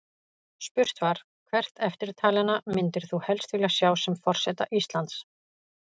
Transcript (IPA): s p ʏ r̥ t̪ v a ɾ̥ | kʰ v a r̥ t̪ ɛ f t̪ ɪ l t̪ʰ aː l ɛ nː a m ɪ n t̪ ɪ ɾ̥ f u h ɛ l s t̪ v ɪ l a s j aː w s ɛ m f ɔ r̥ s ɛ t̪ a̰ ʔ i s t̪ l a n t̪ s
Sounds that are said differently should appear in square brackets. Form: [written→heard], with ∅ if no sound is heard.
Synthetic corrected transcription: s p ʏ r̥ t̪ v a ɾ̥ | kʰ v [a→ɛ] r̥ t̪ ɛ f t̪ ɪ [l→ɾ] t̪ʰ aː l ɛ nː a m ɪ n t̪ ɪ ɾ̥ [f→θ] u h ɛ l s t̪ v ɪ l a s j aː w s ɛ m f ɔ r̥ s ɛ t̪ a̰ ʔ i s t̪ l a n t̪ s

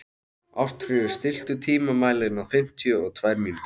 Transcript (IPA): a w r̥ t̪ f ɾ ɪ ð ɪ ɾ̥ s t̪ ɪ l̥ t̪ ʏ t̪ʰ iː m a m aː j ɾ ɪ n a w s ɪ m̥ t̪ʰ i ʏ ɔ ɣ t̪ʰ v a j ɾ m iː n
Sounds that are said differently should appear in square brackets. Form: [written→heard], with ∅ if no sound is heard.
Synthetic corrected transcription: a w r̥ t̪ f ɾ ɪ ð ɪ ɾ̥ s t̪ ɪ l̥ t̪ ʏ t̪ʰ iː m a m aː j [ɾ→l] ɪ n a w [s→f] ɪ m̥ t̪ʰ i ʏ ɔ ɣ t̪ʰ v a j ɾ m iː n

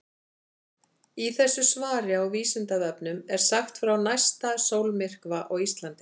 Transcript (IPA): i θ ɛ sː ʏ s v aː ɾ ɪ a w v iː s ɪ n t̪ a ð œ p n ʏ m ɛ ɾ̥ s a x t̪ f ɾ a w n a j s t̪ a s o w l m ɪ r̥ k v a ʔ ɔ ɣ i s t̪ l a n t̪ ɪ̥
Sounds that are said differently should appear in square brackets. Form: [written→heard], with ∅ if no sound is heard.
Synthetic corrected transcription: i θ ɛ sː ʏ s v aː ɾ ɪ a w v iː s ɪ n t̪ a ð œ p n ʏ m ɛ ɾ̥ s a x t̪ f ɾ a w n a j s t̪ a s o w l m ɪ r̥ k v a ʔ ɔ ɣ i s t̪ l a n t̪ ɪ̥

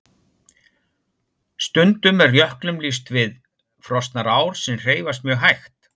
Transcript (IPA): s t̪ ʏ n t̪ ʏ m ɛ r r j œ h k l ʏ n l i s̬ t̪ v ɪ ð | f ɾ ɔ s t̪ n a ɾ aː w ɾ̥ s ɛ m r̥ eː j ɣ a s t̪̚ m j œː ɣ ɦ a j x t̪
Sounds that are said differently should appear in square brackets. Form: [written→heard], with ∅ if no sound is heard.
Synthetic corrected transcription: s t̪ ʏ n t̪ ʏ m ɛ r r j œ h k l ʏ [n→m] l i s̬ t̪ v ɪ ð | f ɾ ɔ s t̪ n a ɾ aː w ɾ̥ s ɛ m r̥ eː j [ɣ→v] a s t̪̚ m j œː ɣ ɦ a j x t̪

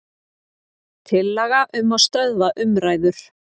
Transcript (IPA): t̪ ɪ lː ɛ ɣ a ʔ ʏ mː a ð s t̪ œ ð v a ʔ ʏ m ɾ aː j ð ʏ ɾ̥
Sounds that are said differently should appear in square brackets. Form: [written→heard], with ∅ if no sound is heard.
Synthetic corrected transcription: [t̪→t̪ʰ] ɪ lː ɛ ɣ a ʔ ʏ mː a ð s t̪ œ ð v a ʔ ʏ m ɾ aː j ð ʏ ɾ̥

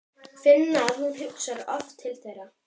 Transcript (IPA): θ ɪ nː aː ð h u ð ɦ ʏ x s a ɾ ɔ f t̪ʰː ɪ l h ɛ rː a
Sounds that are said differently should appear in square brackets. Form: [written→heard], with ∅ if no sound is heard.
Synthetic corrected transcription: [θ→f] ɪ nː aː ð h u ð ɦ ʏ [x→k] s a ɾ ɔ f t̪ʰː ɪ l [h→θ] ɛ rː a

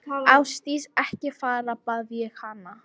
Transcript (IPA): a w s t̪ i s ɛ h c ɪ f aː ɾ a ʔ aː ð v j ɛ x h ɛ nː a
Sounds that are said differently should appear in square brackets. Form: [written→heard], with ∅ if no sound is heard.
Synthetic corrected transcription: a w s t̪ i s ɛ h c ɪ f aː ɾ a [ʔ→p] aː ð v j ɛ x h [ɛ→a] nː a

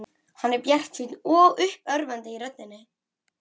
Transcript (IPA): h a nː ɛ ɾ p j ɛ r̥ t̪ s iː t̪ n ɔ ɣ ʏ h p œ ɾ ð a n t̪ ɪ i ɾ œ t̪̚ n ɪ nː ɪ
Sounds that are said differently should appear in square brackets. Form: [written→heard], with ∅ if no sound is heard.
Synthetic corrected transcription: h a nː ɛ ɾ p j ɛ r̥ t̪ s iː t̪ n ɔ ɣ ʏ h p œ ɾ [ð→v] a n t̪ ɪ i ɾ œ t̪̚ n ɪ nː ɪ

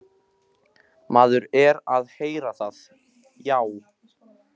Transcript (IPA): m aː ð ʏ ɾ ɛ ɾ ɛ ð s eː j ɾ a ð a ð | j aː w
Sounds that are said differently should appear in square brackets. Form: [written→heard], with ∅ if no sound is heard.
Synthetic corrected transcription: m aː ð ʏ ɾ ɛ ɾ [ɛ→a] ð [s→h] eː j ɾ a [ð→θ] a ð | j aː w

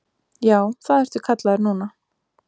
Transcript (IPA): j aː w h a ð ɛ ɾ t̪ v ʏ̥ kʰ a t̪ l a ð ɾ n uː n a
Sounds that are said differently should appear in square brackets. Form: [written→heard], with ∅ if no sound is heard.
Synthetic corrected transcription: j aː w [h→θ] a ð ɛ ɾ t̪ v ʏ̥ kʰ a t̪ l a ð ɾ n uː n a

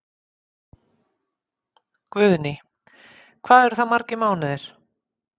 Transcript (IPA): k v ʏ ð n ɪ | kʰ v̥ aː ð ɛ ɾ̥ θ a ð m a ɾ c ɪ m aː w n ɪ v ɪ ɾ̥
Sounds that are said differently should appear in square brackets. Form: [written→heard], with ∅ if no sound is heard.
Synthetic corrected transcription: k v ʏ ð n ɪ | kʰ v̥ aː ð ɛ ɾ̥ θ a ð m a ɾ c ɪ m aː w n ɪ [v→ð] ɪ ɾ̥

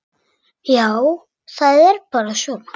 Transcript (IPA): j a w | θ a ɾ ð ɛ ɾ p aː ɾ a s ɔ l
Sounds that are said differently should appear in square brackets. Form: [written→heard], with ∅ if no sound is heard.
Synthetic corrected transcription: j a w | θ a [ɾ→∅] ð ɛ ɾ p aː ɾ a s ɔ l

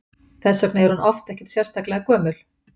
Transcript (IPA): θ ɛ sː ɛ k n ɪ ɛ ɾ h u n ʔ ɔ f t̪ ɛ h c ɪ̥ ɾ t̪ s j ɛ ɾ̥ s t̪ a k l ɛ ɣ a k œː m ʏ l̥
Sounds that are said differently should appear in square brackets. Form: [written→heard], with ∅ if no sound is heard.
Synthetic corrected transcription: θ ɛ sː [ɛ→œ] k n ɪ ɛ ɾ h u n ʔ ɔ f t̪ ɛ h c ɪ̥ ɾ t̪ s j ɛ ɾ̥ s t̪ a k l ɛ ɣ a k œː m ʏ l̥

